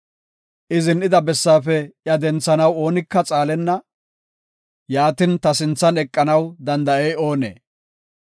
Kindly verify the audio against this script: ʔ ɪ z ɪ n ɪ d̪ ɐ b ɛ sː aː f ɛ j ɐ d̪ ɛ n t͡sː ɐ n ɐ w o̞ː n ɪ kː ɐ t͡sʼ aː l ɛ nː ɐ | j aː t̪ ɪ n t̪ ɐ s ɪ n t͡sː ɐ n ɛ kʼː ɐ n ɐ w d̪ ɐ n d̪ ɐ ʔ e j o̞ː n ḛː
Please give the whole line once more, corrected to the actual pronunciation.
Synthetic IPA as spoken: ʔ ɪ z ɪ n ɪ d̪ ɐ b ɛ sː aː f ɛ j ɐ d̪ ɛ n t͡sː ɐ n ɐ w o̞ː n ɪ kː ɐ t͡sʼ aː l ɛ nː ɐ | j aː t̪ ɪ n t̪ ɐ s ɪ n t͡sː ɐ n ɛ kʼː ɐ n ɐ w d̪ ɐ n d̪ ɐ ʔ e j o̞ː n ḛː